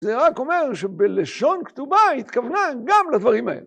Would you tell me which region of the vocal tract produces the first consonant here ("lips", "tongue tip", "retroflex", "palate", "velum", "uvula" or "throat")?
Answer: tongue tip